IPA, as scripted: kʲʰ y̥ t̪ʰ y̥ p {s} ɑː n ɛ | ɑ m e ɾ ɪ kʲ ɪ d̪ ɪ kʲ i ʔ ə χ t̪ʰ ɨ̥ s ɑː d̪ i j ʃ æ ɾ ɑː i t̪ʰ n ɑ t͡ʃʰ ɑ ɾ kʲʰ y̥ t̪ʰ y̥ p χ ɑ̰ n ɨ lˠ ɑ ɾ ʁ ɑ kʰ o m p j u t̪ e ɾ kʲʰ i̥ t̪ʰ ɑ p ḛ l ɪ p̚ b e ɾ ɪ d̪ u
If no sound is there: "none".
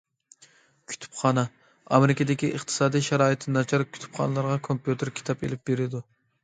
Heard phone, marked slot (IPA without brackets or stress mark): χ